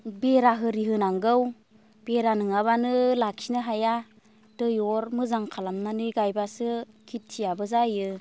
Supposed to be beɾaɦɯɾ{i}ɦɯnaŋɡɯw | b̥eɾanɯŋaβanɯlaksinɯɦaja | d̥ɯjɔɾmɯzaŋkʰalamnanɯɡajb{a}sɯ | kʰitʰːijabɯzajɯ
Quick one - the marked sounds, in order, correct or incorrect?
correct, correct

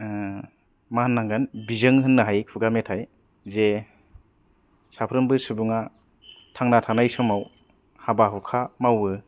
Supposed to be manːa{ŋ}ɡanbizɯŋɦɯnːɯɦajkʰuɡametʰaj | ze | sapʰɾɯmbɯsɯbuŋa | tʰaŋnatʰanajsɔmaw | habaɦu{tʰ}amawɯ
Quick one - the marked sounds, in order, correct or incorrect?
correct, incorrect

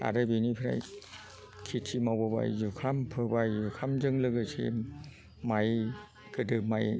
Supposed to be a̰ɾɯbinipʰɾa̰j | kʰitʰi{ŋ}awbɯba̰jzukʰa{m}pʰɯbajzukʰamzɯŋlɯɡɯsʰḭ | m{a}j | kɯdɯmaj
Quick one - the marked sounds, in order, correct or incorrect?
incorrect, correct, correct

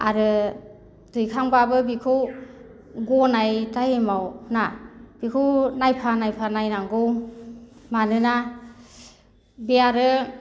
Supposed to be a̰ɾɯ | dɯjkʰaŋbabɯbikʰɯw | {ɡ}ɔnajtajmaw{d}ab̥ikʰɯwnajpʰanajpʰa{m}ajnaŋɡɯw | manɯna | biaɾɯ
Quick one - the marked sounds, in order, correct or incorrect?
correct, incorrect, incorrect

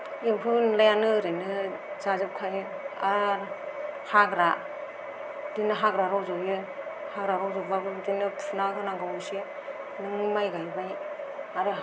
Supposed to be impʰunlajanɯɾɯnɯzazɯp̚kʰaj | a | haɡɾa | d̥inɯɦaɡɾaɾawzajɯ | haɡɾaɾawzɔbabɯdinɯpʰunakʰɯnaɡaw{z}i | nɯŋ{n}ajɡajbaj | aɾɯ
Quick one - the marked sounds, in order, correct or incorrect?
incorrect, incorrect

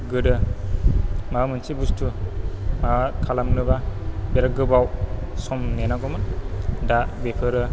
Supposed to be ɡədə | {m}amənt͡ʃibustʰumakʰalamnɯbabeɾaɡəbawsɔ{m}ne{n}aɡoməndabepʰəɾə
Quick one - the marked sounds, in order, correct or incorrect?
correct, correct, correct

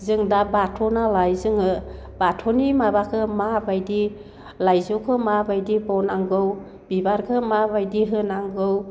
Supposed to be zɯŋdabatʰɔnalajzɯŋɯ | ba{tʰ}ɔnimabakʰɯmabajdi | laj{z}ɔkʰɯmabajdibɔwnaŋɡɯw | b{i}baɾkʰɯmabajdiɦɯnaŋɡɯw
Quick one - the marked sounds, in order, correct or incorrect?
correct, correct, correct

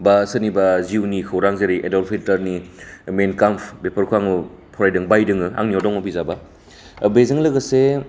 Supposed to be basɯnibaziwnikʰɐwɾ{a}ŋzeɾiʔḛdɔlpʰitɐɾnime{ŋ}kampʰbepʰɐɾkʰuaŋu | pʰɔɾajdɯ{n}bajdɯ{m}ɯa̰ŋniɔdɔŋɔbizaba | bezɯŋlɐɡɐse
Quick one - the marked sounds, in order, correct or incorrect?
correct, incorrect, incorrect, incorrect

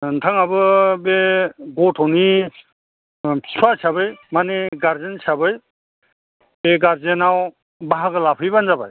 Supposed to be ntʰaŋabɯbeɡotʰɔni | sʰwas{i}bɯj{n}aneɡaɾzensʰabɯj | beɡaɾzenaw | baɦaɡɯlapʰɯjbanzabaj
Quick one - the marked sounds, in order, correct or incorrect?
incorrect, incorrect

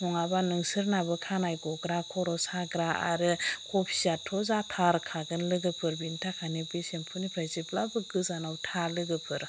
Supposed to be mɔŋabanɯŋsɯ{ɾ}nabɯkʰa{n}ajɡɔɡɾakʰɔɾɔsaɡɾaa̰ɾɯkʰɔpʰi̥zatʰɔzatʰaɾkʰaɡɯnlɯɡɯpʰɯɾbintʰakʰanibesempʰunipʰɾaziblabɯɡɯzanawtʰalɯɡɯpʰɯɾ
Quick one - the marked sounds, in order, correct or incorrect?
correct, correct

